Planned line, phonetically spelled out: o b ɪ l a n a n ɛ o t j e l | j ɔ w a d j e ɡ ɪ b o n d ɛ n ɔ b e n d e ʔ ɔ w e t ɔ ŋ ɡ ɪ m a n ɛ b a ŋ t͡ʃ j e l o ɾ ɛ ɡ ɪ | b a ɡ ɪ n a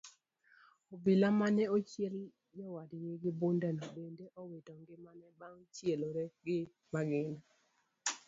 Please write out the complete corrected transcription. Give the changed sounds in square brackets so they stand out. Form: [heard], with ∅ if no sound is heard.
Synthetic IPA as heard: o b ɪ l a [m] a n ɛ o [t͡ʃ] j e l | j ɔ w a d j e ɡ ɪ b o n d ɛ n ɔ b e n d e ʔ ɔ w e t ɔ ŋ ɡ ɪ m a n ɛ b a ŋ t͡ʃ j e l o ɾ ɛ ɡ ɪ | [m] a ɡ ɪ n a